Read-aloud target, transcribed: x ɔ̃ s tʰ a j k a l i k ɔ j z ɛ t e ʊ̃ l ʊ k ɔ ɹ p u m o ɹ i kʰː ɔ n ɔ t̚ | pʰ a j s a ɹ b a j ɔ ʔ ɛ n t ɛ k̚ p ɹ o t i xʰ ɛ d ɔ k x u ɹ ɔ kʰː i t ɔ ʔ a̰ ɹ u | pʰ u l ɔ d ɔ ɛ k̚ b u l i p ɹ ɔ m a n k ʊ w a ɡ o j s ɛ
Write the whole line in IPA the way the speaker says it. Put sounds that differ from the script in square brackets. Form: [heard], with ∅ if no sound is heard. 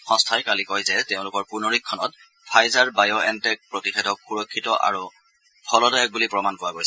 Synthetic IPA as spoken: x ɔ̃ s tʰ a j k a l i k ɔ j z ɛ t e ʊ̃ l ʊ k ɔ ɹ p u [n] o ɹ i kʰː ɔ n ɔ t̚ | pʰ a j [z] a ɹ b a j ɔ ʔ ɛ n t ɛ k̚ p ɹ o t i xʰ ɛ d ɔ k x u ɹ ɔ kʰː i t ɔ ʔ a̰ ɹ u | pʰ [ɔ] l ɔ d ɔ ɛ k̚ b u l i p ɹ ɔ m a n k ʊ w a ɡ o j s ɛ

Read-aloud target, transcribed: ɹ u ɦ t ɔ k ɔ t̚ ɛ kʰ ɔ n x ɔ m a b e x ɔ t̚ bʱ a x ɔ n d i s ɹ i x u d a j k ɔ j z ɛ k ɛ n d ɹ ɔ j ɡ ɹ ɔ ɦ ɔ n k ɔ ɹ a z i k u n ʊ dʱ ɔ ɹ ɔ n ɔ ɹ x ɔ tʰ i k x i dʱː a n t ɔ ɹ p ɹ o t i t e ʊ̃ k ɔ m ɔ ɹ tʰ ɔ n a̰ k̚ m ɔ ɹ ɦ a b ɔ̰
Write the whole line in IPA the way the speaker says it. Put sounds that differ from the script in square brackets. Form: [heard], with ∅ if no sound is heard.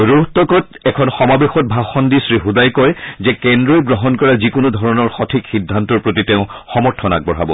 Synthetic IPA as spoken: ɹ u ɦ t ɔ k ɔ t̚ ɛ kʰ ɔ n x ɔ m a b e x ɔ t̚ bʱ a x ɔ n d i s ɹ i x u d a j k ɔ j z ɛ k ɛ n d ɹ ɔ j ɡ ɹ ɔ ɦ ɔ n k ɔ ɹ a z i k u n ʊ dʱ ɔ ɹ ɔ n ɔ ɹ x ɔ tʰ i k x i dʱː a n t ɔ ɹ p ɹ o t i t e ʊ̃ [x] ɔ m ɔ ɹ tʰ ɔ n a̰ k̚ [b] ɔ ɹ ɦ a b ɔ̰

